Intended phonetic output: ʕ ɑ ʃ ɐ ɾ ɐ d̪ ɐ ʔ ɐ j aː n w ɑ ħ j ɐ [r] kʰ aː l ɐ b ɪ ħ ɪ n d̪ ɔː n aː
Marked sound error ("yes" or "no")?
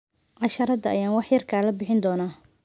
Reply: no